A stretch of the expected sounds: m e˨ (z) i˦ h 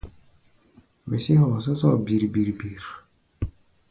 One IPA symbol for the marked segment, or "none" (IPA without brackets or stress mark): s